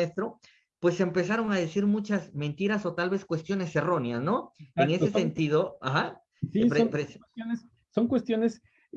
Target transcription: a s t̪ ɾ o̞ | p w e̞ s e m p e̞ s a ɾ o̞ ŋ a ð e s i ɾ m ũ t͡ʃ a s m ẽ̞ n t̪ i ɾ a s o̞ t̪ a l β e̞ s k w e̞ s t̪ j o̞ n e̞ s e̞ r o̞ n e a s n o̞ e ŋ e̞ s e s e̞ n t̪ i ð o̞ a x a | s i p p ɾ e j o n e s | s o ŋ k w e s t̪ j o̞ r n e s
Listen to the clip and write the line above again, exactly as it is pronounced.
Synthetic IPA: e s t̪ ɾ o̞ | p w e̞ s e m p e̞ s a ɾ o̞ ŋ a ð e s i ɾ m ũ t͡ʃ a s m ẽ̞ n t̪ i ɾ a s o̞ t̪ a l β e̞ s k w e̞ s t̪ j o̞ n e̞ s e̞ r o̞ n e a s n o̞ e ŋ e̞ s e s e̞ n t̪ i ð o̞ a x a | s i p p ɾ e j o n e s | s o ŋ k w e s t̪ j o̞ n e s

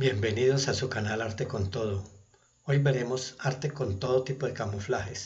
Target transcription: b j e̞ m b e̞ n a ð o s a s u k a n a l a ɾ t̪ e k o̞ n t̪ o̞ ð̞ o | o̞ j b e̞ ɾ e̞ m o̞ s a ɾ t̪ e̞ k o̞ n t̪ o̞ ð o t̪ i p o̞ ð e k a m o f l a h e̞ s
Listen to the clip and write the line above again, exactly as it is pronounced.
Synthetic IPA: b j e̞ m b e̞ n i ð o s a s u k a n a l a ɾ t̪ e k o̞ n t̪ o̞ ð̞ o | o̞ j b e̞ ɾ e̞ m o̞ s a ɾ t̪ e̞ k o̞ n t̪ o̞ ð o t̪ i p o̞ ð e k a m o f l a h e̞ s

